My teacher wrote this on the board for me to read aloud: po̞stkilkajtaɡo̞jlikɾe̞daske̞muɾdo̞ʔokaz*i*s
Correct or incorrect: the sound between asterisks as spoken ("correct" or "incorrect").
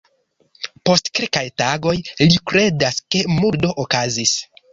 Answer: correct